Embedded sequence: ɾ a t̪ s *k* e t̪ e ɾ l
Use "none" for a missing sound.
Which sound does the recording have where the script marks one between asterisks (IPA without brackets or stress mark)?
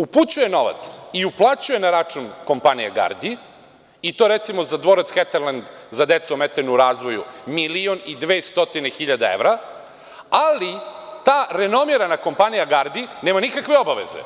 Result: x